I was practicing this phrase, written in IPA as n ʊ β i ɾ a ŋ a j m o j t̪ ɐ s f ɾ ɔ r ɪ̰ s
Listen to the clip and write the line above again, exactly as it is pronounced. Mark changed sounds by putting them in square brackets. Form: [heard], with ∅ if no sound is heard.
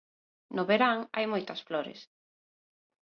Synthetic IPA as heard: n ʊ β [e] ɾ a ŋ a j m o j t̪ ɐ s f [l] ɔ [ɾ] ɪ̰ s